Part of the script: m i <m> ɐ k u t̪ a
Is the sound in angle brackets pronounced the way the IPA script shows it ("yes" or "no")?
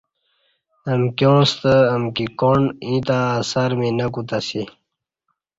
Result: no